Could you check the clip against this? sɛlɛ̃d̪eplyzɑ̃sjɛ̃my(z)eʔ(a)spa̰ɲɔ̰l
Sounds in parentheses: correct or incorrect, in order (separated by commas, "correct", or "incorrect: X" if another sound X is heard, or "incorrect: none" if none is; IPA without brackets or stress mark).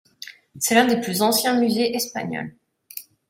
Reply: correct, incorrect: ɛ